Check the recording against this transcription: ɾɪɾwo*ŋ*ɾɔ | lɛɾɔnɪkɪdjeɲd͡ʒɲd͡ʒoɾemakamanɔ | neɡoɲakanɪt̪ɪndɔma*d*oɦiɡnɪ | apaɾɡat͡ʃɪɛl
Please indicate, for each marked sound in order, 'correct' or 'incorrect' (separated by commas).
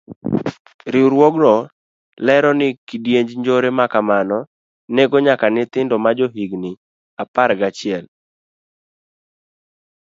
incorrect, incorrect